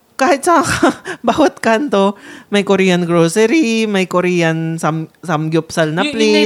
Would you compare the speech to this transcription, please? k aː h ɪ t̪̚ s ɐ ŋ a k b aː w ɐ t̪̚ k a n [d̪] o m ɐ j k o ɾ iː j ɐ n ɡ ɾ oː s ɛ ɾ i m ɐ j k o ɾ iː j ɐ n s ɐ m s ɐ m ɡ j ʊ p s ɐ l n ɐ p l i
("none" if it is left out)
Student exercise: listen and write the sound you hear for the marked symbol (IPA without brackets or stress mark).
t̪